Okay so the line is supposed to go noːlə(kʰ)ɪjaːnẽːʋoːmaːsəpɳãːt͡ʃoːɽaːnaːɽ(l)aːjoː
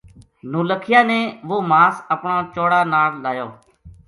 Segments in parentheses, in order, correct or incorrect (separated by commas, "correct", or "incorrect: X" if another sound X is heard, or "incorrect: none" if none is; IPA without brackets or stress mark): correct, correct